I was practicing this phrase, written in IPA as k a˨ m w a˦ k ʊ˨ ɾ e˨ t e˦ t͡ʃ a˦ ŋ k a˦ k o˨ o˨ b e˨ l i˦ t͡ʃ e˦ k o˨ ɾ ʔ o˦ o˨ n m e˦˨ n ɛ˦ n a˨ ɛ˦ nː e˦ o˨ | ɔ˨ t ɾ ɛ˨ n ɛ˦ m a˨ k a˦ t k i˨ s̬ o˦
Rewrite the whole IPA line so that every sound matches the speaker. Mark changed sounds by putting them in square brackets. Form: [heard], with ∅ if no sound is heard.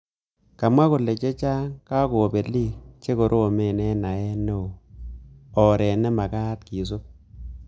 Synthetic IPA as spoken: k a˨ m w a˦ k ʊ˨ [l] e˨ [t͡ʃ] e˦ t͡ʃ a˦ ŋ k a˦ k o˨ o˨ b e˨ l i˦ t͡ʃ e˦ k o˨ ɾ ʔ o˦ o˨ [∅] m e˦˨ n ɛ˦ n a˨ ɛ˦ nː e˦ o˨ | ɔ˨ [∅] ɾ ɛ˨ n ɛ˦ m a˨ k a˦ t k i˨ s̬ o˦